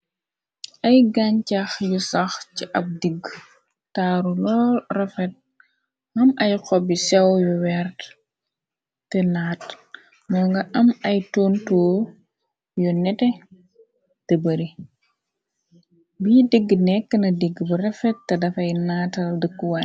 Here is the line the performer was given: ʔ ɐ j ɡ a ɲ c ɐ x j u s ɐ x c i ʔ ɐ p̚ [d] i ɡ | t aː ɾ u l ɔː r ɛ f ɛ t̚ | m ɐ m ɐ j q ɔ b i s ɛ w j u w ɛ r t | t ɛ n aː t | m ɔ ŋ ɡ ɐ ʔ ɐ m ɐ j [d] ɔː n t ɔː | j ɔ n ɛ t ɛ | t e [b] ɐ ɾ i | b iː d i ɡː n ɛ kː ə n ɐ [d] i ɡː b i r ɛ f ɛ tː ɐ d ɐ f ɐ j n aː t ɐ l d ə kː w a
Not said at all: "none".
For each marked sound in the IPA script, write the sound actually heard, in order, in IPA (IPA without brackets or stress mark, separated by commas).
d, t, b, d